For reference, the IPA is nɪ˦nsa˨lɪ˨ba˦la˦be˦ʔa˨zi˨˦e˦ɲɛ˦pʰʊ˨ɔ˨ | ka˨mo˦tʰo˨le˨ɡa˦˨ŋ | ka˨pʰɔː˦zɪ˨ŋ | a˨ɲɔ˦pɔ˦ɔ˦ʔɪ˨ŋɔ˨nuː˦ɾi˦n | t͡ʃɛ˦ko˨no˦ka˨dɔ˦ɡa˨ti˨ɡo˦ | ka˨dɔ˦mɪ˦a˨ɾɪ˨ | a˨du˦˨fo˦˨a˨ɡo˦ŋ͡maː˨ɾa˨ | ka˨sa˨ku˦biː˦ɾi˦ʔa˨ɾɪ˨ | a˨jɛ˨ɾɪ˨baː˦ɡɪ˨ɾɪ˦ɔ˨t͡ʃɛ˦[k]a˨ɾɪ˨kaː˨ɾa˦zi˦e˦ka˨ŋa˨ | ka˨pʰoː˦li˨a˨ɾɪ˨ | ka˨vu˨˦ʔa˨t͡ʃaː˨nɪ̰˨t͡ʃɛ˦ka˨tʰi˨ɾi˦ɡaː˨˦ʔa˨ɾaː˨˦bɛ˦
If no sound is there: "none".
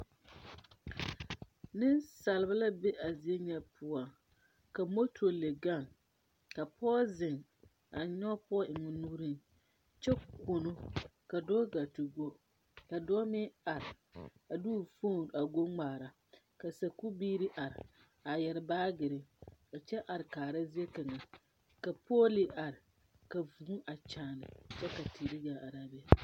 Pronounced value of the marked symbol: ʔ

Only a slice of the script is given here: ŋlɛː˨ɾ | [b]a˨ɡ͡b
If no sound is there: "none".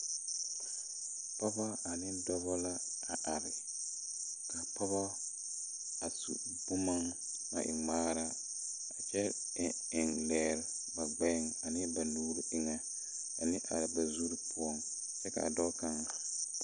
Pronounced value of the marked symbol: b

